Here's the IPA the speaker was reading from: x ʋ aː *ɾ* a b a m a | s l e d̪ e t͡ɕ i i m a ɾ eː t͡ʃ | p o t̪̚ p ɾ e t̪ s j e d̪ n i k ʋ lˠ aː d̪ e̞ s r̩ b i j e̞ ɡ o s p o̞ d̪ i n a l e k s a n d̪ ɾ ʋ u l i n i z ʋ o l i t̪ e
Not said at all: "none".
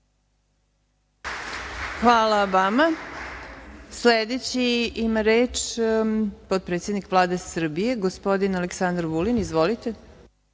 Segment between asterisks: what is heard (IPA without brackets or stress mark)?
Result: l